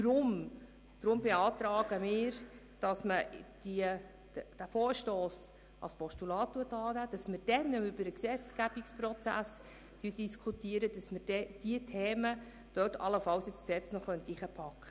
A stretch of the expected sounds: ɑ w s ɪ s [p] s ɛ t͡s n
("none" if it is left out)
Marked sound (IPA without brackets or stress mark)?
k